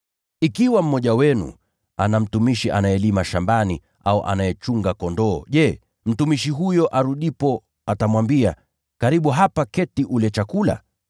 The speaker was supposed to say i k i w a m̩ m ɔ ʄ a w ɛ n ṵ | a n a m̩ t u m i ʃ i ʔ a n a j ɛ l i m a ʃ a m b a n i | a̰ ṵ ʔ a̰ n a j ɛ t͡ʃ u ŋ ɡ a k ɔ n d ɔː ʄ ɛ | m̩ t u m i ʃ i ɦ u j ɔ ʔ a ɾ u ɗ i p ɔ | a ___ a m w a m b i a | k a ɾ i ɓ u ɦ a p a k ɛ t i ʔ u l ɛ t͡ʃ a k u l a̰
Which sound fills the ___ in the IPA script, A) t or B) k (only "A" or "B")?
A